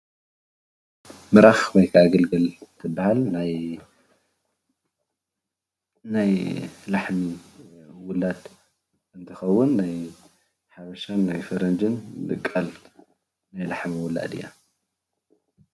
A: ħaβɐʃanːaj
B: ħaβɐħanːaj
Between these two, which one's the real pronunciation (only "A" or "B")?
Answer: A